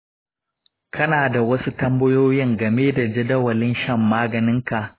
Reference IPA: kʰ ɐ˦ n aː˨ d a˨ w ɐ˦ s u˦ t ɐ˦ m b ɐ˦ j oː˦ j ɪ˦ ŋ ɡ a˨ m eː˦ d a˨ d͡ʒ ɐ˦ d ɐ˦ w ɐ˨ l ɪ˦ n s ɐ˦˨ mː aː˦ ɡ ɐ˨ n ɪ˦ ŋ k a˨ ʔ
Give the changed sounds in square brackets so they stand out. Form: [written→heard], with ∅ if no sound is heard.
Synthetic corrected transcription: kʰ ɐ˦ n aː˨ d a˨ w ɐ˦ s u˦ t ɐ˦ m b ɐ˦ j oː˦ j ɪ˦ ŋ ɡ [a˨→ɐ˨] m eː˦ d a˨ d͡ʒ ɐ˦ d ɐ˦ w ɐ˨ l ɪ˦ n [s→ʃ] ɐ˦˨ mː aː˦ ɡ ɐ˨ n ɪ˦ ŋ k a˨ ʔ